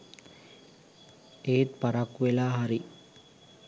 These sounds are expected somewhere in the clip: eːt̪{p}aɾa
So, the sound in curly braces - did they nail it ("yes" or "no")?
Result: yes